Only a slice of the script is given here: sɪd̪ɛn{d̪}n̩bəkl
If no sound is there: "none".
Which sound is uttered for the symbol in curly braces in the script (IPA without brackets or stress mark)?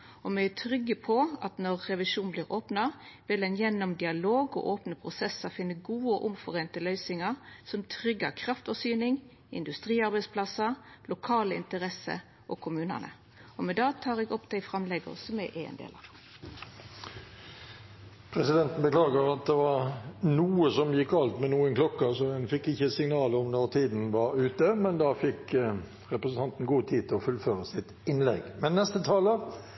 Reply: t̪